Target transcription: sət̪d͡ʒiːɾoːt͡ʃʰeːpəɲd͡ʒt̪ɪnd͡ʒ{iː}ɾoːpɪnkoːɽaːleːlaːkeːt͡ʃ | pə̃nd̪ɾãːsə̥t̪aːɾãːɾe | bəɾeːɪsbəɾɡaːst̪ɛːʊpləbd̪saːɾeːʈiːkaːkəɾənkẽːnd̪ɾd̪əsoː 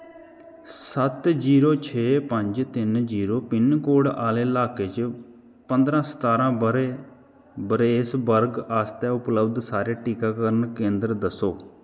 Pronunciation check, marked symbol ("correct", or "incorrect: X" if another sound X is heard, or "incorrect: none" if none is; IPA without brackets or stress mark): correct